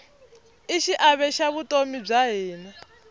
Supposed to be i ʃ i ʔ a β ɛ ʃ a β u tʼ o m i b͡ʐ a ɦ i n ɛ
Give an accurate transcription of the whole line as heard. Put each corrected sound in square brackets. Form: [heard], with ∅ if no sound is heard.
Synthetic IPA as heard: i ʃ i ʔ a β ɛ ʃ a β u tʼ o m i b͡ʐ a ɦ [iː] n ɛ